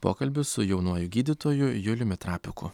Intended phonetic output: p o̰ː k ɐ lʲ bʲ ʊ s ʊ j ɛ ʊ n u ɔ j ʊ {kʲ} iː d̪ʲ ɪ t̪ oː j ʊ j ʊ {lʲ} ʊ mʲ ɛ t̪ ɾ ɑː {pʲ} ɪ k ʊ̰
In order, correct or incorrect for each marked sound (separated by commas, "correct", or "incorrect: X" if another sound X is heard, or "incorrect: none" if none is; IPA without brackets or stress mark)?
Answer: incorrect: ɡʲ, correct, correct